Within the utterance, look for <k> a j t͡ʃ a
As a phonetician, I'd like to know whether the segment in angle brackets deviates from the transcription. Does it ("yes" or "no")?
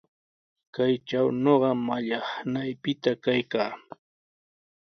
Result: no